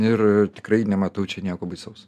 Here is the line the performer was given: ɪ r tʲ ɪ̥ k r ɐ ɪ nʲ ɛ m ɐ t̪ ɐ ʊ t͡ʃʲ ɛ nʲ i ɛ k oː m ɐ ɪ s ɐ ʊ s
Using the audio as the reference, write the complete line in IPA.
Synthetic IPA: ɪ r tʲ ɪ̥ k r ɐ ɪ nʲ ɛ m ɐ t̪ ɐ ʊ t͡ʃʲ ɛ nʲ i ɛ k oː b ɐ ɪ s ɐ ʊ s